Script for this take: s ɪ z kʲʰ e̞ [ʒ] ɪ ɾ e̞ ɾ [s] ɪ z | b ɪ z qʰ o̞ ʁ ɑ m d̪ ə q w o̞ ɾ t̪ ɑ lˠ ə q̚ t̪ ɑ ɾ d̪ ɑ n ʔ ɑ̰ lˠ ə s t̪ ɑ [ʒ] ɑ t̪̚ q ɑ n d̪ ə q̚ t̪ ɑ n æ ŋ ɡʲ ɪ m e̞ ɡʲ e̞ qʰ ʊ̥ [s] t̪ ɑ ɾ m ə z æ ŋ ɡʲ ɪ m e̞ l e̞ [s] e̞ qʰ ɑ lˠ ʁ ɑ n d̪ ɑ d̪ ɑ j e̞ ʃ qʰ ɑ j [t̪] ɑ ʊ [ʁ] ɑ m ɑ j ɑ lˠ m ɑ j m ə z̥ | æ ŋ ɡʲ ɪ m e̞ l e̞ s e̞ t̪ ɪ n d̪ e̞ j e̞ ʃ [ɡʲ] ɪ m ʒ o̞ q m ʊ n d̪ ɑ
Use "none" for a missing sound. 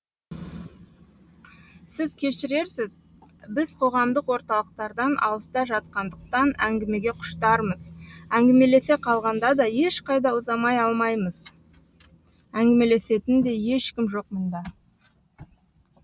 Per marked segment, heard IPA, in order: ʃ, s, ʒ, ʃ, s, d̪, z, kʲ

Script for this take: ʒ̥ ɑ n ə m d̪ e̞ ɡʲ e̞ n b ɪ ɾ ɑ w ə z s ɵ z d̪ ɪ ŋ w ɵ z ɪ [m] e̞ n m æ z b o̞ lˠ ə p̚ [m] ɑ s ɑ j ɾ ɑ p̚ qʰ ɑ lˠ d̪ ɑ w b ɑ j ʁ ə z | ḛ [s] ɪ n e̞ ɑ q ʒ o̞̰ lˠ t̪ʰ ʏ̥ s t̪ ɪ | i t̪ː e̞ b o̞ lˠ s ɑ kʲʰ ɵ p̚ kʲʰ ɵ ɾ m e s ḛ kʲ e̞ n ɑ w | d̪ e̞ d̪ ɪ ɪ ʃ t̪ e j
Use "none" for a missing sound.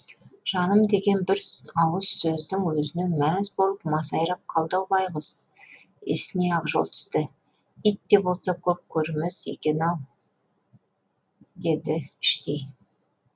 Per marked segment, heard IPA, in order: n, m, s

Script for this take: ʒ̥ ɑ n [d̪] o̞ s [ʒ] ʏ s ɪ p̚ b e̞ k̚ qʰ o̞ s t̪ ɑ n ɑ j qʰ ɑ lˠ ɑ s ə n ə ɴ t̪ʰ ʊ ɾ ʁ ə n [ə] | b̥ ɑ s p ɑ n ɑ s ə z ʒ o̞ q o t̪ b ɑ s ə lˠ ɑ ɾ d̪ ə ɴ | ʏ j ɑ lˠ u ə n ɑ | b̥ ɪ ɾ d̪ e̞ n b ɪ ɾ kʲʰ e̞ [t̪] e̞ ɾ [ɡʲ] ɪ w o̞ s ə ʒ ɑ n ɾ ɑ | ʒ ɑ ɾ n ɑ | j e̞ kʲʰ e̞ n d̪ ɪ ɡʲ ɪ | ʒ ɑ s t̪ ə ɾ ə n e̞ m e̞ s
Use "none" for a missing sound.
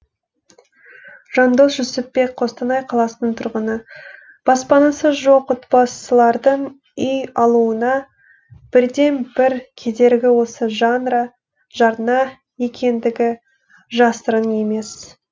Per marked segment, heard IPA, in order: d̪, ʒ, ə, d̪, ɡʲ

